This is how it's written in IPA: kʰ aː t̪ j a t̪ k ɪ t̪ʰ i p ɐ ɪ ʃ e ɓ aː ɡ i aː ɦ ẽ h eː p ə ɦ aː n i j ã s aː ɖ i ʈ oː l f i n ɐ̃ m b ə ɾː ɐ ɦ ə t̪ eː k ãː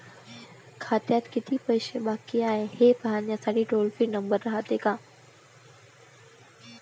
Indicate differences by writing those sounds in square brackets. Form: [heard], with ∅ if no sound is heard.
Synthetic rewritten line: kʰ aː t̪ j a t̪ k ɪ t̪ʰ i p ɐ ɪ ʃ e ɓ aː [k] i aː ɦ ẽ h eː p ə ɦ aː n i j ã s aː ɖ i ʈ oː l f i n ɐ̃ m b ə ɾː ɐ ɦ [a] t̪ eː k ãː